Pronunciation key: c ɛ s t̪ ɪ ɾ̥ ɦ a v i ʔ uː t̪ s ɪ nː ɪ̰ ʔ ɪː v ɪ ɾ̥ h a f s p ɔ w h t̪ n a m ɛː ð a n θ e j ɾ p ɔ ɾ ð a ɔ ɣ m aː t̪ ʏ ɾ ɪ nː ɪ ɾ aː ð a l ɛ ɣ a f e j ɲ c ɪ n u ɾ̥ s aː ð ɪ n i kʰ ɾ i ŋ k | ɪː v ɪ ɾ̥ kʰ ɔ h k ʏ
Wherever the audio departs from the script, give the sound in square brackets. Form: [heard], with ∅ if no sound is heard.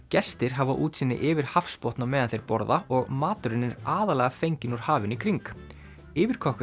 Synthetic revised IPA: c ɛ s t̪ ɪ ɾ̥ ɦ a v [a] ʔ uː t̪ s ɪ nː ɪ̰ ʔ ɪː v ɪ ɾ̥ h a f s p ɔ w h t̪ n a m ɛː ð a n θ e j ɾ p ɔ ɾ ð a ɔ ɣ m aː t̪ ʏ ɾ ɪ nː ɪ ɾ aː ð a l ɛ ɣ a f e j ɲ c ɪ n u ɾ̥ [h] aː [v] ɪ n i kʰ ɾ i ŋ k | ɪː v ɪ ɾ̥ kʰ ɔ h k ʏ